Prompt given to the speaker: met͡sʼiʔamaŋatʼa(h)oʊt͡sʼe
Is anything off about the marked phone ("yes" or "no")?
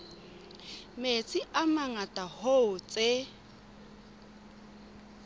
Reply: no